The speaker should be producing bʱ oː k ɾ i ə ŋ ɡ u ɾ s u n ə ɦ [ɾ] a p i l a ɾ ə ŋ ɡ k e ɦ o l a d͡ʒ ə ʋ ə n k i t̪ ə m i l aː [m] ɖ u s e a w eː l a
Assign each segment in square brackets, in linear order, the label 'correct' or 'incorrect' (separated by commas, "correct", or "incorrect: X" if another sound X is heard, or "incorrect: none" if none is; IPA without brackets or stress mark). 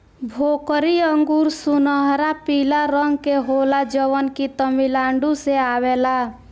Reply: correct, incorrect: ɳ